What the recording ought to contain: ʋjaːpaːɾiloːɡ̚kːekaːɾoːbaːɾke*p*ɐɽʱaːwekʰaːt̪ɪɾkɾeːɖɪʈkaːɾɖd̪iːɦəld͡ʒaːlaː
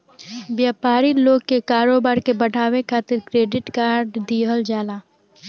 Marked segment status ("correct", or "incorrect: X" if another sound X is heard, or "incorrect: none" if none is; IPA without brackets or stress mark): incorrect: b